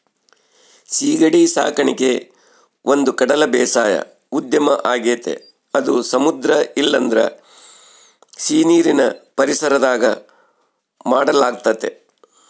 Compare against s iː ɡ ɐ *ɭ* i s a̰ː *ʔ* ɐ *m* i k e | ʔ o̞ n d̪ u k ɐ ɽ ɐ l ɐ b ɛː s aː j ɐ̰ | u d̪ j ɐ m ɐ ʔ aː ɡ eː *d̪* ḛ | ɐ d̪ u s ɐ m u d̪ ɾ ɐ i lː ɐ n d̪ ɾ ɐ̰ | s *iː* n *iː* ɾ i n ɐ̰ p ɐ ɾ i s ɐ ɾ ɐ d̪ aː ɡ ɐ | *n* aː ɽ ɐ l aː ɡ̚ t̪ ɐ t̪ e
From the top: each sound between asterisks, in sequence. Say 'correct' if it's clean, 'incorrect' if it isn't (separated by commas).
incorrect, incorrect, incorrect, incorrect, correct, correct, incorrect